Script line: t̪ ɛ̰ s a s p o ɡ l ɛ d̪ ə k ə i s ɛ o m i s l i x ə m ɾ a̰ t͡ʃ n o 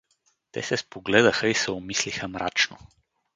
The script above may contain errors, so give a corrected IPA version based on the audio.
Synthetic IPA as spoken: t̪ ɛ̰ s ɛ s p o ɡ l ɛ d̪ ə x ə i s ɛ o m i s l i x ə m ɾ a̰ t͡ʃ n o